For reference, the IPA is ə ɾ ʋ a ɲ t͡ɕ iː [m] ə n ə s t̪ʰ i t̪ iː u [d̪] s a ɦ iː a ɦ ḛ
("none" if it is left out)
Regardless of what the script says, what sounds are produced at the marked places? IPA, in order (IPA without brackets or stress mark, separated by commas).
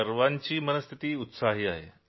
m, t̪